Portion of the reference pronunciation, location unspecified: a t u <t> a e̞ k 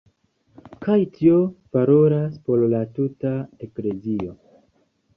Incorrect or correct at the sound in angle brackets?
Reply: correct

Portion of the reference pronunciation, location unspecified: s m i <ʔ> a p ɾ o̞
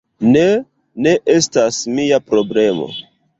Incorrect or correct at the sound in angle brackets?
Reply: incorrect: none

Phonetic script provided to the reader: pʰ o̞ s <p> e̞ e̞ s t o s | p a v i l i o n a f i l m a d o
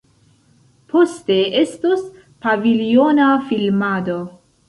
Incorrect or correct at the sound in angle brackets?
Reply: incorrect: t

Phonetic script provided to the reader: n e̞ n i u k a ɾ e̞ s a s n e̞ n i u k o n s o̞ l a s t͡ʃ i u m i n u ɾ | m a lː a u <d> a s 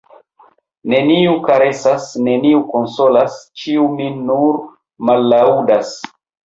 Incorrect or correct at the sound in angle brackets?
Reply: correct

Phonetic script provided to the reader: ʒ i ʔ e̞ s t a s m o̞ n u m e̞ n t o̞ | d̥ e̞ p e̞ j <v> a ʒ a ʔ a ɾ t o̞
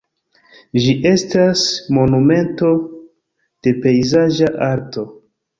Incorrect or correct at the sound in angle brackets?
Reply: incorrect: z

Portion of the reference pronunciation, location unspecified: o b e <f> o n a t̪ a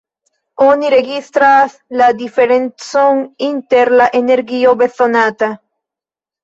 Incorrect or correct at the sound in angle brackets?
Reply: incorrect: θ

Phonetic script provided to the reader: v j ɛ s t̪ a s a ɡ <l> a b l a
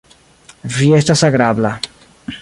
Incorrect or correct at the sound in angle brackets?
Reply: incorrect: ɾ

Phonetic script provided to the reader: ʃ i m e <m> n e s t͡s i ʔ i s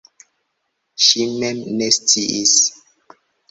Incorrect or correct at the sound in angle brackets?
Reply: correct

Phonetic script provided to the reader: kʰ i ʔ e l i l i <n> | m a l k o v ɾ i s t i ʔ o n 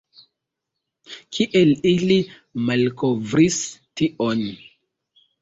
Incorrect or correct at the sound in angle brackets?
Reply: incorrect: none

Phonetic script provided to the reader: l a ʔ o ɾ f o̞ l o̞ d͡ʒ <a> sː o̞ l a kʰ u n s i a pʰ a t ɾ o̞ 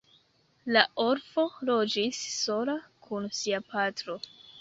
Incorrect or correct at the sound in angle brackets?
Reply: incorrect: i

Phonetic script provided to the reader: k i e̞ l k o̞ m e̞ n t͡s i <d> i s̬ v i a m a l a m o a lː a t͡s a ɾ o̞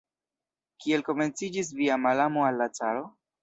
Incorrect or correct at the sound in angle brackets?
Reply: incorrect: d͡ʒ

